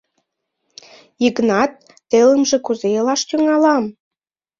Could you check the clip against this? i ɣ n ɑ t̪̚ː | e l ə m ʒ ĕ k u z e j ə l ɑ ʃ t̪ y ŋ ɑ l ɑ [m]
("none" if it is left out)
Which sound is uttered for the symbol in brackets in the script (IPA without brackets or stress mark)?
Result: m